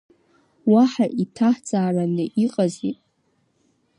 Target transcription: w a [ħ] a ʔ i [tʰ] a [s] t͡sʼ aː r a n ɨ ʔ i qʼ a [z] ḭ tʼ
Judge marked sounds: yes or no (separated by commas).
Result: yes, yes, no, yes